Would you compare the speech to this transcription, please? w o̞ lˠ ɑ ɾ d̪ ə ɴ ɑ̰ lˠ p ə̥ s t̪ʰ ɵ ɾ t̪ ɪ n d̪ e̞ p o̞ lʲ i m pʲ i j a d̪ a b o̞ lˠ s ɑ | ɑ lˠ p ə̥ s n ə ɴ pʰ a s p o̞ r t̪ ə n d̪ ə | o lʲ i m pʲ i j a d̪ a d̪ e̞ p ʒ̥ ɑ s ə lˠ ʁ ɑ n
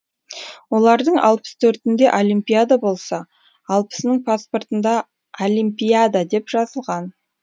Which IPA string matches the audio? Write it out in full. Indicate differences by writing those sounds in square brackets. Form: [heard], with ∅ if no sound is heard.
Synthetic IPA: w o̞ lˠ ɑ ɾ d̪ ə ɴ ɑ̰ lˠ p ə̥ s t̪ʰ ɵ ɾ t̪ ɪ n d̪ e̞ [ʔ] o̞ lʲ i m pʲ i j a d̪ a b o̞ lˠ s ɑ | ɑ lˠ p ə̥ s n ə ɴ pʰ a s p o̞ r t̪ ə n d̪ [ɑ] | o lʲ i m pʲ i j a d̪ a d̪ e̞ p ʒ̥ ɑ [z] ə lˠ ʁ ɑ n